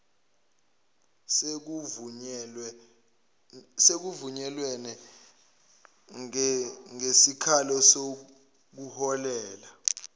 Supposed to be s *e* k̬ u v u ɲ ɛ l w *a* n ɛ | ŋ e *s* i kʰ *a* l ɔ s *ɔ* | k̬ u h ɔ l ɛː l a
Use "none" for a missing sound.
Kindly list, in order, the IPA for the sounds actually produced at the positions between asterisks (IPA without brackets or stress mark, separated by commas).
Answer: e, ɛ, s, a, o